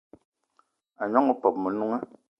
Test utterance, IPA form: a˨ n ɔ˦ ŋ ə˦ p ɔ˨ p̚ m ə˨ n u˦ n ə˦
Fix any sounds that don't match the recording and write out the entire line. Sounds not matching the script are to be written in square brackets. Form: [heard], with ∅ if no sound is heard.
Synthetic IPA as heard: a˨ [ɲ] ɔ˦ ŋ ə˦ p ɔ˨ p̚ m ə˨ n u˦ [ŋ] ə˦